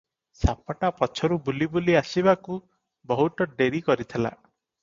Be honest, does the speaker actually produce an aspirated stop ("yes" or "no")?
yes